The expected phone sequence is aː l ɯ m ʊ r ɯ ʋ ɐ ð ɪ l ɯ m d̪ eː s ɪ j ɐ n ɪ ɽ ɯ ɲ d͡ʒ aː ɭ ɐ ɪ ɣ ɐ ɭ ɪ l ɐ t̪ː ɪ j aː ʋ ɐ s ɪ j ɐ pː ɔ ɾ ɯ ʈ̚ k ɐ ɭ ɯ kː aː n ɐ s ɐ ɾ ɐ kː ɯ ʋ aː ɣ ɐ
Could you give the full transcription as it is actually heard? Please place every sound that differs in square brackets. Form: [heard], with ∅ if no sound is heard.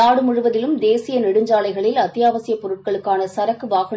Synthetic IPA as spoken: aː [ɽ] ɯ m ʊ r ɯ ʋ ɐ ð ɪ l ɯ m d̪ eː s ɪ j ɐ n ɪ ɽ ɯ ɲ d͡ʒ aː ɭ ɐ ɪ ɣ ɐ ɭ ɪ l ɐ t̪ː ɪ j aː ʋ ɐ s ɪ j ɐ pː ɔ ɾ ɯ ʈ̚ k ɐ ɭ ɯ kː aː n ɐ s ɐ ɾ ɐ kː ɯ ʋ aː ɣ ɐ